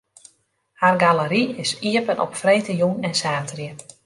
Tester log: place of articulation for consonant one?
glottal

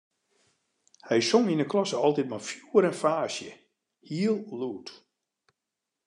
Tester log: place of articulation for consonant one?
glottal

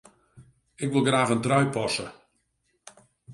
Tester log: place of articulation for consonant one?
velar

